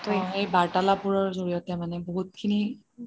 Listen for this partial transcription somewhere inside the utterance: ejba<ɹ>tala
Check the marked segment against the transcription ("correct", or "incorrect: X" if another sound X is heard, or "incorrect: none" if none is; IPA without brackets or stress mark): correct